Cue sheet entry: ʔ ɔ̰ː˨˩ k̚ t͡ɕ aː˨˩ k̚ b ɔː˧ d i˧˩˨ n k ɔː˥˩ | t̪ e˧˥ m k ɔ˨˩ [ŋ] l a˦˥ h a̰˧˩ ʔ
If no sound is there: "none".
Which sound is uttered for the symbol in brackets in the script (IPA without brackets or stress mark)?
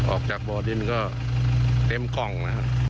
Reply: ŋ